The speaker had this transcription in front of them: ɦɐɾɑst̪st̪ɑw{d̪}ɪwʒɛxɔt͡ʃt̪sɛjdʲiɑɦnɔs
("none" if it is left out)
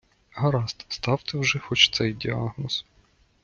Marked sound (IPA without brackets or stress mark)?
t̪